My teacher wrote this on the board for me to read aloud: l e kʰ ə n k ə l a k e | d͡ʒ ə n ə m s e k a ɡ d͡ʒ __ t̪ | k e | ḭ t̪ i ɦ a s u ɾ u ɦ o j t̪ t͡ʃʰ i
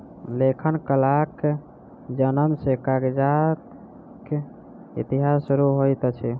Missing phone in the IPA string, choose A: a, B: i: A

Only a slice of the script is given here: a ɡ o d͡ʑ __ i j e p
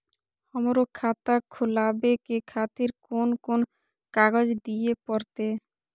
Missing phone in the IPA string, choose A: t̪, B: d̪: B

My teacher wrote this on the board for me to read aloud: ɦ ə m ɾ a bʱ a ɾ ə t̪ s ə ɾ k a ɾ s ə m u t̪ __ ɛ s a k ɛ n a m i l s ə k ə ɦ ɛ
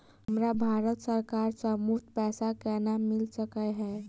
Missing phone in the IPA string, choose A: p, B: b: A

